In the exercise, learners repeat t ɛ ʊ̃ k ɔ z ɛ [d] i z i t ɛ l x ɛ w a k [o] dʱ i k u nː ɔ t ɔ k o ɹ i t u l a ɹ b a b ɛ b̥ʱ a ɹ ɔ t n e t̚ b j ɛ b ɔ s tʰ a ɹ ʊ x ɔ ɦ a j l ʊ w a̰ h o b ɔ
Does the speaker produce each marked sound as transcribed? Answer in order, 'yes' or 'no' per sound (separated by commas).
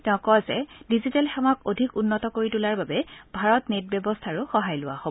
yes, yes